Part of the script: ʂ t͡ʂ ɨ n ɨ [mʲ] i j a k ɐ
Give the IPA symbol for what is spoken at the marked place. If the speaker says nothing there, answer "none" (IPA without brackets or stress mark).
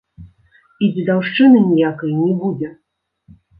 nʲ